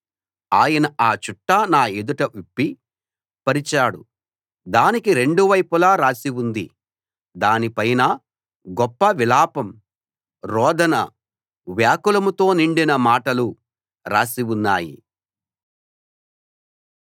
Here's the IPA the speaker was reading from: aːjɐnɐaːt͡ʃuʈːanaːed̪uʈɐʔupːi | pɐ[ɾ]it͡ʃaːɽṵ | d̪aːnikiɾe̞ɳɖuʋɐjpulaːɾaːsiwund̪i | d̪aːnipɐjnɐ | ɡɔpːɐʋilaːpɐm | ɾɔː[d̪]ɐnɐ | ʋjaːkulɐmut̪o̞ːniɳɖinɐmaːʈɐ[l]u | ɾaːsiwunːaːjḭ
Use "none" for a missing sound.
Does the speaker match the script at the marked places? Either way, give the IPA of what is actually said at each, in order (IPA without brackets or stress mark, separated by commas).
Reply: ɾ, d̪, l